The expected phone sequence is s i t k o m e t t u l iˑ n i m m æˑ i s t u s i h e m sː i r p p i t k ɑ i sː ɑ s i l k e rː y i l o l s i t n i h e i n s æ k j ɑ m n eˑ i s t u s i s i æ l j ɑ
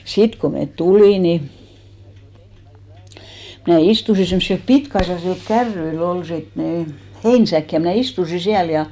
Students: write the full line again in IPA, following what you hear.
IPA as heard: s i t k o m e t t u l iˑ n i m n æˑ i s t u s i s e m sː i l p p i t k ɑ i sː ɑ s i l k æ rː y i l o l s i t n i h e i n s æ k j ɑ m n æˑ i s t u s i s i æ l j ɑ